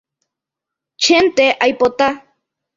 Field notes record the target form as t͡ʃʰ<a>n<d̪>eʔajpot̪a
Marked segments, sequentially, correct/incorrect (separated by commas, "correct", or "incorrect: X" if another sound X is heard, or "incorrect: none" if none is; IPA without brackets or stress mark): incorrect: e, incorrect: t̪